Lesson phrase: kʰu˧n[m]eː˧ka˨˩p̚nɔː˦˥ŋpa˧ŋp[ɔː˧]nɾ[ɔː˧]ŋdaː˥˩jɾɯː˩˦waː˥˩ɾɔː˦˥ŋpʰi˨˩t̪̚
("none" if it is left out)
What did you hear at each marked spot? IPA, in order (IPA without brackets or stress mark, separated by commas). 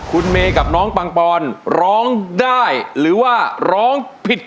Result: m, ɔː˧, ɔː˦˥